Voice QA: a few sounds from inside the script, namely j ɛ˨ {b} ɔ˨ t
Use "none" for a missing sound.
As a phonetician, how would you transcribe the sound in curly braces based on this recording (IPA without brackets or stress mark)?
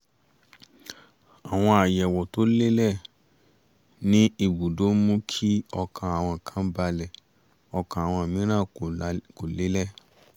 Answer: w